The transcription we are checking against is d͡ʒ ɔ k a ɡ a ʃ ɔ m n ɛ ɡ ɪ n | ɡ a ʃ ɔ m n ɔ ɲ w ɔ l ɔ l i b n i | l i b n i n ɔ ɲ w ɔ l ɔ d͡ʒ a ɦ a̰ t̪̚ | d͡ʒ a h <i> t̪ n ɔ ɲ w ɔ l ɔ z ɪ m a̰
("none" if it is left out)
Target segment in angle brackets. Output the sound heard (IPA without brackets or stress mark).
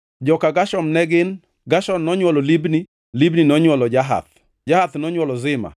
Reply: a